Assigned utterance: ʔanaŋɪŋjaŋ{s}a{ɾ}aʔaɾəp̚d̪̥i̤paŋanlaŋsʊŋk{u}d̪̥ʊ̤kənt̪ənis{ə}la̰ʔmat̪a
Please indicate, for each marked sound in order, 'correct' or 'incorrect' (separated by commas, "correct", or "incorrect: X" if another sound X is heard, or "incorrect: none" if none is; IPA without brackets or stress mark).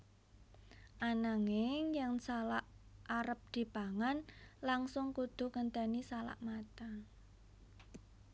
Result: correct, incorrect: l, correct, incorrect: a